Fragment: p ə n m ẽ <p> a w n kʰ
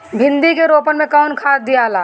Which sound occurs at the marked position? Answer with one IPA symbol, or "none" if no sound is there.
k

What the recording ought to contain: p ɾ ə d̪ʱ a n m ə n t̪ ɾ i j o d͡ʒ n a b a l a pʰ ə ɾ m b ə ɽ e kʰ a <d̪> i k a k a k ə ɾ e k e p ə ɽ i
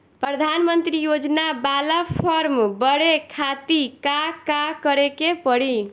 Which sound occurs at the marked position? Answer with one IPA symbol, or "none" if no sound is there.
t̪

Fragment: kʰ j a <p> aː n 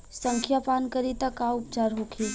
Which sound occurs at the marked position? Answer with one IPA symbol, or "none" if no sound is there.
p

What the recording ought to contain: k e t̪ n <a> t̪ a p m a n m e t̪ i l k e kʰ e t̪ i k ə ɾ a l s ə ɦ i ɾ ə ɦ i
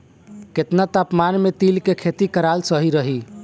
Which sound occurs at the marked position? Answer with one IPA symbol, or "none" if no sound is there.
a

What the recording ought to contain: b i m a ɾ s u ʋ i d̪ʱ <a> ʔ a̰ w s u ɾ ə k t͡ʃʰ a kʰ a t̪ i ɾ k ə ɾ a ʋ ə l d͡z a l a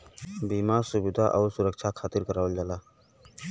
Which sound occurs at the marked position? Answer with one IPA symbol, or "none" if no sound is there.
a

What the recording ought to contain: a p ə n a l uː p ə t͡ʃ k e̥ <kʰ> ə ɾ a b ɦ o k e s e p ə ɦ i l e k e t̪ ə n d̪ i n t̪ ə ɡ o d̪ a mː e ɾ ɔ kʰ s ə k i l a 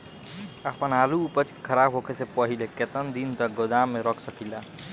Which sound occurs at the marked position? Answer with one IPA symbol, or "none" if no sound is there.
kʰ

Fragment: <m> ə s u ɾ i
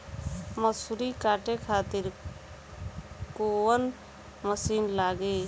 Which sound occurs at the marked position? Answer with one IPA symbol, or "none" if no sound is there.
m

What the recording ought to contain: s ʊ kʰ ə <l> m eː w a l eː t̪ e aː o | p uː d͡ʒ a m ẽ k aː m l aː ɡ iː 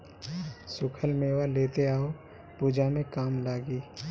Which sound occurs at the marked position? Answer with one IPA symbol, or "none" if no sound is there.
l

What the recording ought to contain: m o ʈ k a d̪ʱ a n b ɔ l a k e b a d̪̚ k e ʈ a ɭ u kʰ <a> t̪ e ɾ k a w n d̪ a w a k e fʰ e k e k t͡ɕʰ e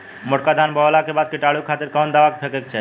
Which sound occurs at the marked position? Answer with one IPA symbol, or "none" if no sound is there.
a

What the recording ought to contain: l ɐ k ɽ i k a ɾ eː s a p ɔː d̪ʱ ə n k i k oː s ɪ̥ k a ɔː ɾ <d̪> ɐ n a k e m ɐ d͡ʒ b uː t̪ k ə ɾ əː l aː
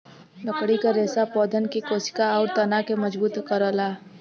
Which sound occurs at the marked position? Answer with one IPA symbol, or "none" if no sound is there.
t̪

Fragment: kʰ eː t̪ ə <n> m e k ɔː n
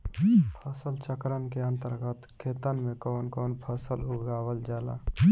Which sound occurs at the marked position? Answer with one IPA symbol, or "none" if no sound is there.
n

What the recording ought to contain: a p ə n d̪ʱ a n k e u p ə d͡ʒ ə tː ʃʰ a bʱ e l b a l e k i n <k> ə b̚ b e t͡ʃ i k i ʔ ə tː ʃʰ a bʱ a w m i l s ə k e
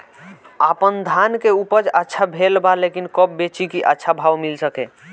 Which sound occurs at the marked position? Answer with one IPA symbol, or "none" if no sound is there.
k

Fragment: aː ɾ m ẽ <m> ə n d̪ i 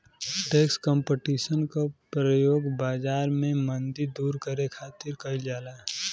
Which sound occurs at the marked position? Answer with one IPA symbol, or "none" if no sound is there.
m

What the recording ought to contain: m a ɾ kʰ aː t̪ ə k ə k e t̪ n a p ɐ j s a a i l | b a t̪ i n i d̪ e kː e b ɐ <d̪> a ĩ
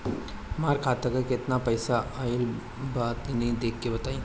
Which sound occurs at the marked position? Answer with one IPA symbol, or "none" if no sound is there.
t̪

